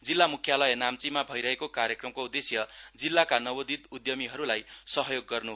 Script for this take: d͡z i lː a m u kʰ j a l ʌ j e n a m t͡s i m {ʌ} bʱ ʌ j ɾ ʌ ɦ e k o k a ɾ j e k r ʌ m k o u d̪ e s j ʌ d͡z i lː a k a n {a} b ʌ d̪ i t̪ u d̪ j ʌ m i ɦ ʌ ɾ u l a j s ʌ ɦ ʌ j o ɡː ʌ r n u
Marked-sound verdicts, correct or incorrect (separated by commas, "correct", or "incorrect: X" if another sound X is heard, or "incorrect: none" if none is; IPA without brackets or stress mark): incorrect: a, incorrect: ʌ